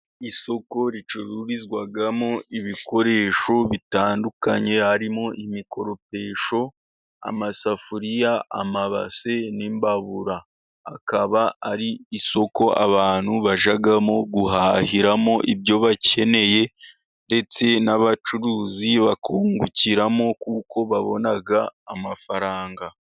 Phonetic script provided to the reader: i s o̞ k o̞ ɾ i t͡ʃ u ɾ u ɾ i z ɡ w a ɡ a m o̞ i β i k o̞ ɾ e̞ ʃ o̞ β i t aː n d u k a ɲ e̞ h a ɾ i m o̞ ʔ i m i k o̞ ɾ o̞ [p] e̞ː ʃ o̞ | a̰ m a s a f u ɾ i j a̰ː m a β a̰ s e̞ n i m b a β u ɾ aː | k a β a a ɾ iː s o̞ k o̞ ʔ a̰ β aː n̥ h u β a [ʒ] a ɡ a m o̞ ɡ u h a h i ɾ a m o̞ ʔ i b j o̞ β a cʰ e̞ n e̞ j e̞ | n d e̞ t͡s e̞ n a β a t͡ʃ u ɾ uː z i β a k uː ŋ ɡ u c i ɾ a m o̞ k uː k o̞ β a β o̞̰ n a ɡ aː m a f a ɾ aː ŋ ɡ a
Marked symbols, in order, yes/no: yes, yes

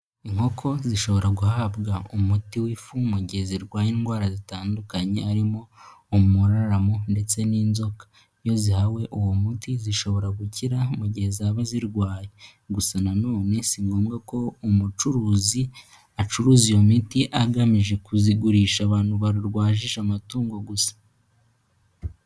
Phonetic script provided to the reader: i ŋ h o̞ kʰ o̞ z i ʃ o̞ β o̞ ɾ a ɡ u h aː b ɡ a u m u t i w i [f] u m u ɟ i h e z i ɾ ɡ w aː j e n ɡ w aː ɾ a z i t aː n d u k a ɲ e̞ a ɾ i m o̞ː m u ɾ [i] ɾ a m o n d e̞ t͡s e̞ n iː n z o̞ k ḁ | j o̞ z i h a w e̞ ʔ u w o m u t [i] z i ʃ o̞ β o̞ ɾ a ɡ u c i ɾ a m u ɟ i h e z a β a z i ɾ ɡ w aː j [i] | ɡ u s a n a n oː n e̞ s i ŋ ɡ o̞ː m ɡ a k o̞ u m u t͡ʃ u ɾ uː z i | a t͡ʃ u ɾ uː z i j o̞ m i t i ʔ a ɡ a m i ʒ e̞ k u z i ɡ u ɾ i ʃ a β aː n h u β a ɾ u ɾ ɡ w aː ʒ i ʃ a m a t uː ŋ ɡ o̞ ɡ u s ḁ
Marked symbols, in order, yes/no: yes, no, yes, no

